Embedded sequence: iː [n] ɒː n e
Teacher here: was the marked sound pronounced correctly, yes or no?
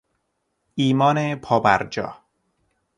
no